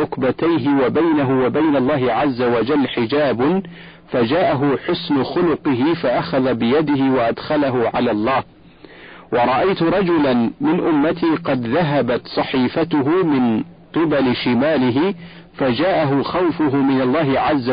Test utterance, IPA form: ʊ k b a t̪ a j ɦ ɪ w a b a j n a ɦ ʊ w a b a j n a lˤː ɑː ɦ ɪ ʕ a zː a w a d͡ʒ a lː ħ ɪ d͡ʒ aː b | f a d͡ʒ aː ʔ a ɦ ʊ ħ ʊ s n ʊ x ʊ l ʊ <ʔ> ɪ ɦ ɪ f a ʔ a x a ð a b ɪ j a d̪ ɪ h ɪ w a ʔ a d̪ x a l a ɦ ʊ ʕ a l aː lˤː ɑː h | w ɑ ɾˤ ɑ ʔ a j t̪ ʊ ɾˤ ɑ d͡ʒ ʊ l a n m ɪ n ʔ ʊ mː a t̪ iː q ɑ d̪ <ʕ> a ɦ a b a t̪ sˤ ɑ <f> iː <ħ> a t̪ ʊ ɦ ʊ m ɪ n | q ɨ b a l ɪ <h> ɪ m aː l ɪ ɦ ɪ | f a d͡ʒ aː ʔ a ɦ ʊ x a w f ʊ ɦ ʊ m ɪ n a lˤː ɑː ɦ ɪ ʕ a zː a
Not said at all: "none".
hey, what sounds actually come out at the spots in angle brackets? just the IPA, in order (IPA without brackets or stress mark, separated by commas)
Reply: q, ð, ħ, f, ʃ